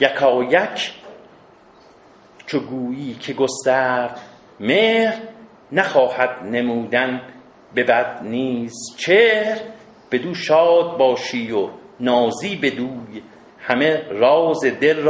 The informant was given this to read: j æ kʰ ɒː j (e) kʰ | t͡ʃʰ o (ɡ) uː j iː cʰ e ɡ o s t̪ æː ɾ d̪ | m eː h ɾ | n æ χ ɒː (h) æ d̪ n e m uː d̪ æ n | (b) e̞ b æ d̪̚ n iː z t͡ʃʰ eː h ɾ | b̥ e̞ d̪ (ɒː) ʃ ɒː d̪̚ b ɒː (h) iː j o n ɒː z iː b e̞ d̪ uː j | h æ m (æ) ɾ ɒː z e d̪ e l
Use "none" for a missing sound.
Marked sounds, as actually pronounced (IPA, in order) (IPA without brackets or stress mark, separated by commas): æ, ɡ, h, b, uː, ʃ, e